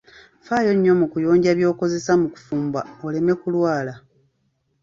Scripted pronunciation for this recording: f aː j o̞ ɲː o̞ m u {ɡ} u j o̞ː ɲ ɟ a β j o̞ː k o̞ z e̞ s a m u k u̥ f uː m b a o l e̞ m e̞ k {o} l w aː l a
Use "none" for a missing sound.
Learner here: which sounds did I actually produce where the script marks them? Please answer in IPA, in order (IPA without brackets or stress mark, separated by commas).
k, u